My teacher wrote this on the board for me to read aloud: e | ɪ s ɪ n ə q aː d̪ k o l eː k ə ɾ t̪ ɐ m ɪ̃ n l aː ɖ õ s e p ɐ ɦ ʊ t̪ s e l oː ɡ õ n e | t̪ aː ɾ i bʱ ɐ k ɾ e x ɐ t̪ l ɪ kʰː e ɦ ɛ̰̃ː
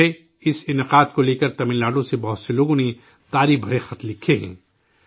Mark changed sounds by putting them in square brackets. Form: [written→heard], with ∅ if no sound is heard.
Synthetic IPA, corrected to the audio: e | ɪ s ɪ n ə q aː d̪ k o l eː k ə ɾ t̪ ɐ m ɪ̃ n l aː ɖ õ s e [p→b] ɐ ɦ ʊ t̪ s e l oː ɡ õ n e | t̪ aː ɾ i bʱ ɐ [k→∅] ɾ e x ɐ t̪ l ɪ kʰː e ɦ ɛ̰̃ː